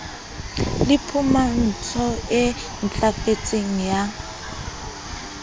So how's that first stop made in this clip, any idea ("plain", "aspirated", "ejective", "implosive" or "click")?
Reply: aspirated